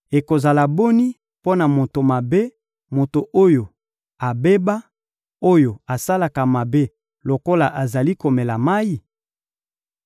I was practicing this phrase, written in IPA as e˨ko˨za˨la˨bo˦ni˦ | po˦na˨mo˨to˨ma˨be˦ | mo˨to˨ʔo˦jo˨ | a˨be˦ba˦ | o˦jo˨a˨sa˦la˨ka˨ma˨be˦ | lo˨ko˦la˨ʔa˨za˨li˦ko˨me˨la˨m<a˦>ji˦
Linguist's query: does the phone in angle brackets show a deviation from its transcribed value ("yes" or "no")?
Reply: no